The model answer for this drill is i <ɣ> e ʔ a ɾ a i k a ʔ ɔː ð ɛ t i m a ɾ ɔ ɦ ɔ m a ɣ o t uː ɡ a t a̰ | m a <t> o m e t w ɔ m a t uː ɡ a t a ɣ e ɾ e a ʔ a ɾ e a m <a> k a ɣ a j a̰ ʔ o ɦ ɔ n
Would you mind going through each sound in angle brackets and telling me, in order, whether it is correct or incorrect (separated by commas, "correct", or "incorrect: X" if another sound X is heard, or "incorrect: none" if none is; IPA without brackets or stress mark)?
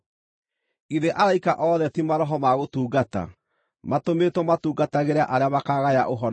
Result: incorrect: ð, correct, correct